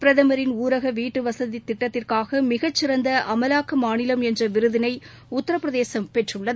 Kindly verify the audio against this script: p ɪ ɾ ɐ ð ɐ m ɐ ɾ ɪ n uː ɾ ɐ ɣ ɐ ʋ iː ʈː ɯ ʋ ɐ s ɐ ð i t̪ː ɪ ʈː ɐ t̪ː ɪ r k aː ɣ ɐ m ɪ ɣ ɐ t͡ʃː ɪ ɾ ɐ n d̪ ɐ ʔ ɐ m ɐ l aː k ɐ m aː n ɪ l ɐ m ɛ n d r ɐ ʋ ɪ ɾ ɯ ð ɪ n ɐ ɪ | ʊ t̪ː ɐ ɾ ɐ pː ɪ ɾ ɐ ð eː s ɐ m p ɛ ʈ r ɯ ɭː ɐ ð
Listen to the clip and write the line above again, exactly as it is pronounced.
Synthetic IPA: p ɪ ɾ ɐ ð ɐ m ɐ ɾ ɪ n uː ɾ ɐ ɣ ɐ ʋ iː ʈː ɯ ʋ ɐ s ɐ ð i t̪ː ɪ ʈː ɐ t̪ː ɪ r k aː ɣ ɐ m ɪ ɣ ɐ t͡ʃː ɪ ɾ ɐ n d̪ ɐ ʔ ɐ m ɐ l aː k ɐ m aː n ɪ l ɐ m ɛ n d r ɐ ʋ ɪ ɾ ɯ ð ɪ n ɐ ɪ | ʊ t̪ː ɐ ɾ ɐ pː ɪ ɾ ɐ ð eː s ɐ m p ɛ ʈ r ɯ ɭː ɐ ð

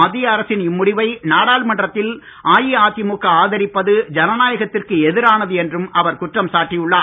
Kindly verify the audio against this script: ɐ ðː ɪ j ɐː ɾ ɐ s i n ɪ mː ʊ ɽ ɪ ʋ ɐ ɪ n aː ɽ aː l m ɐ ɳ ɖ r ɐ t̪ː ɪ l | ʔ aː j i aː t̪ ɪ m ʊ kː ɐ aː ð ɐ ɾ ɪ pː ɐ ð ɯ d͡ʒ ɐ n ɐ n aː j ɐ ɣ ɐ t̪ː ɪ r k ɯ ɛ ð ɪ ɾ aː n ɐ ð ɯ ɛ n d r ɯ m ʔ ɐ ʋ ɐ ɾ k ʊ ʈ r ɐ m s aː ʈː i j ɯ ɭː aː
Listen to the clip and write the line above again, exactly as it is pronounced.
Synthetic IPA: ɐ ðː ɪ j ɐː ɾ ɐ s ɪ n ɪ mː ʊ ɽ ɪ ʋ ɐ ɪ n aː ɽ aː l m ɐ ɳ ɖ r ɐ t̪ː ɪ l | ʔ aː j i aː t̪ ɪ m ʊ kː ɐ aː ð ɐ ɾ ɪ pː ɐ ð ɯ d͡ʒ ɐ n ɐ n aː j ɐ ɣ ɐ t̪ː ɪ r k ɯ ɛ ð ɪ ɾ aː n ɐ ð ɯ ɛ n d r ɯ m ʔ ɐ ʋ ɐ ɾ k ʊ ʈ r ɐ m s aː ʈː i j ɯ ɭː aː

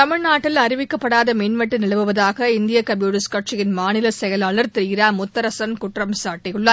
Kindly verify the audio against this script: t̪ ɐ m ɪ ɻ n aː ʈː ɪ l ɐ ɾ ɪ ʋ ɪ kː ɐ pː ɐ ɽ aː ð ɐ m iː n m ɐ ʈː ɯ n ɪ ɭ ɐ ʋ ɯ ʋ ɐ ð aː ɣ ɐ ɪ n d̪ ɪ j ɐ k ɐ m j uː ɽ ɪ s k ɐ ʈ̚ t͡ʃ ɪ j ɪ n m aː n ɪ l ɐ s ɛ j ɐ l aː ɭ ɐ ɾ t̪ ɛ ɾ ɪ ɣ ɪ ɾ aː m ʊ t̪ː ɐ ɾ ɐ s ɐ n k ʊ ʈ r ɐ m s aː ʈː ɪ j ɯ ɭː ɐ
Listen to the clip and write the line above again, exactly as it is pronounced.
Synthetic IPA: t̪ ɐ m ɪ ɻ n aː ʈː ɪ l ɐ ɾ ɪ ʋ ɪ kː ɐ pː ɐ ɽ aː ð ɐ m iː n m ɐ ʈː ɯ n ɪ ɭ ɐ ʋ ɯ ʋ ɐ ð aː ɣ ɐ ɪ n d̪ ɪ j ɐ k ɐ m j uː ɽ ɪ s k ɐ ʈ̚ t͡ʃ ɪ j ɪ n m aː n ɪ l ɐ s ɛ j ɐ l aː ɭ ɐ ɾ t̪ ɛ ɾ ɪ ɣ ɪ ɾ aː m ʊ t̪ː ɐ ɾ ɐ s ɐ n k ʊ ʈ r ɐ m s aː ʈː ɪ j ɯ ɭː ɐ

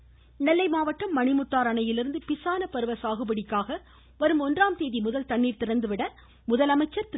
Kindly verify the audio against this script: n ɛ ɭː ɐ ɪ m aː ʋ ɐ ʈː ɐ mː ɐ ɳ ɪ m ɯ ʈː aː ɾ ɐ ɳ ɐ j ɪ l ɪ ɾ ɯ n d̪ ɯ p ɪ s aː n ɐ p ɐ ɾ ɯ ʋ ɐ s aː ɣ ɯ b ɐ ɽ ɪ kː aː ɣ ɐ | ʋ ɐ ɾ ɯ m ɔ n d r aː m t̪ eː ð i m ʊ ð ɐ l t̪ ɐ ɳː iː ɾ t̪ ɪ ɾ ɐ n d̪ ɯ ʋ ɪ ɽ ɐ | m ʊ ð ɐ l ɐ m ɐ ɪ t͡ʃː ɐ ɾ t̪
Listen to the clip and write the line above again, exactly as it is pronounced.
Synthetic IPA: n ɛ lː ɐ ɪ m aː ʋ ɐ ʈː ɐ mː ɐ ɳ ɪ m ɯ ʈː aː ɾ ɐ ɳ ɐ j ɪ l ɪ ɾ ɯ n d̪ ɯ p ɪ s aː n ɐ p ɐ ɾ ɯ ʋ ɐ s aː ɣ ɯ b ɐ ɽ ɪ kː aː ɣ ɐ | ʋ ɐ ɾ ɯ m ɔ n d r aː m t̪ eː ð i m ʊ ð ɐ l t̪ ɐ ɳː iː ɾ t̪ ɪ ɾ ɐ n d̪ ɯ ʋ ɪ ɽ ɐ | m ʊ ð ɐ l ɐ m ɐ ɪ t͡ʃː ɐ ɾ t̪

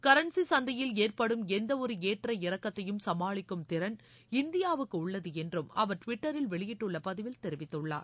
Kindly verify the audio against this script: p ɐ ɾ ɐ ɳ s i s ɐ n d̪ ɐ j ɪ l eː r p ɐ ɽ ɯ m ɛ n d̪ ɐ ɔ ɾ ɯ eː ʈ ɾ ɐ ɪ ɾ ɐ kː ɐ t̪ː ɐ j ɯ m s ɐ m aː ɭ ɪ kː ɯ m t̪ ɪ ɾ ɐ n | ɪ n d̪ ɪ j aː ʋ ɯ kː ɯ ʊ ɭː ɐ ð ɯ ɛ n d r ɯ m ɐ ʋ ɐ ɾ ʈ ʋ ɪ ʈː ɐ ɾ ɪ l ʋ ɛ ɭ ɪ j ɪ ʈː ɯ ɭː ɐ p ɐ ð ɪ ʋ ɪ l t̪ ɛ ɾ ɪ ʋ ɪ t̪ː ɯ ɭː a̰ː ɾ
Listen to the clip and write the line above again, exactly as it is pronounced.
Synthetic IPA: k ɐ ɾ ɐ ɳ s i s ɐ n d̪ ɐ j ɪ l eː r p ɐ ɽ ɯ m ɛ n d̪ ɐ ɔ ɾ ɯ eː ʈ r ɐ ɪ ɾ ɐ kː ɐ t̪ː ɐ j ɯ m s ɐ m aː ɭ ɪ kː ɯ m t̪ ɪ ɾ ɐ n | ɪ n d̪ ɪ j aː ʋ ɯ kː ɯ ʊ ɭː ɐ ð ɯ ɛ n d r ɯ m ɐ ʋ ɐ ɾ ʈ ʋ ɪ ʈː ɐ ɾ ɪ l ʋ ɛ ɭ ɪ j ɪ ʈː ɯ ɭː ɐ p ɐ ð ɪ ʋ ɪ l t̪ ɛ ɾ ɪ ʋ ɪ t̪ː ɯ ɭː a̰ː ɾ

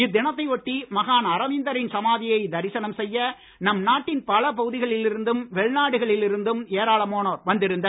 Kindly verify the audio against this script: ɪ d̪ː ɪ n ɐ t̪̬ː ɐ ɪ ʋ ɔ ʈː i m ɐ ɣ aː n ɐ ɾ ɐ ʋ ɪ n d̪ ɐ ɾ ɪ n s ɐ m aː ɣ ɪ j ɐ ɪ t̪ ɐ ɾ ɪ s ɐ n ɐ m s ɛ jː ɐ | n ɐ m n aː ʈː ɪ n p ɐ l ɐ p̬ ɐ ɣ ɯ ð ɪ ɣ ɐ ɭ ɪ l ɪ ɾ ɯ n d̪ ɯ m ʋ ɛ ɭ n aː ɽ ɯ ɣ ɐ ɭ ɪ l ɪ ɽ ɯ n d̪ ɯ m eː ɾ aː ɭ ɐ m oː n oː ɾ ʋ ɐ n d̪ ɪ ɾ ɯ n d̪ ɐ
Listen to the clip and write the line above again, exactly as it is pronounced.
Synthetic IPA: ɪ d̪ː ɪ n ɐ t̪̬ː ɐ ɪ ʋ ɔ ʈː i m ɐ ɣ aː n ɐ ɾ ɐ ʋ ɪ n d̪ ɐ ɾ ɪ n s ɐ m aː ð ɪ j ɐ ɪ d̪ ɐ ɾ ɪ s ɐ n ɐ m s ɛ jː ɐ | n ɐ m n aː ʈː ɪ n p ɐ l ɐ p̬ ɐ ɣ ɯ ð ɪ ɣ ɐ ɭ ɪ l ɪ ɾ ɯ n d̪ ɯ m ʋ ɛ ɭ n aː ɽ ɯ ɣ ɐ ɭ ɪ l ɪ ɾ ɯ n d̪ ɯ m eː ɾ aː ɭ ɐ m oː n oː ɾ ʋ ɐ n d̪ ɪ ɾ ɯ n d̪ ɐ

